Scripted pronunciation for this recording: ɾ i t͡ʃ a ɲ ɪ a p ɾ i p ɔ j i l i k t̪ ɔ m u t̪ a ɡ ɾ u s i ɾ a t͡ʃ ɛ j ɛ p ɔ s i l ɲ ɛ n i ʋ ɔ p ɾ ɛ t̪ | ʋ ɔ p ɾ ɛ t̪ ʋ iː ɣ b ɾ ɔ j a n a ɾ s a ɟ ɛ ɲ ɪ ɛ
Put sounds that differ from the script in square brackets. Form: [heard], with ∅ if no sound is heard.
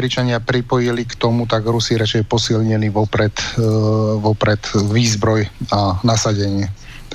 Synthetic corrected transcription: ɾ i t͡ʃ a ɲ ɪ a p ɾ i p ɔ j i l i k t̪ ɔ m u t̪ a ɡ ɾ u s i ɾ a t͡ʃ ɛ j ɛ p ɔ s i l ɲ ɛ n i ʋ ɔ p ɾ ɛ t̪ | ʋ ɔ p ɾ ɛ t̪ ʋ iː [z] b ɾ ɔ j a n a [∅] s a ɟ ɛ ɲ ɪ ɛ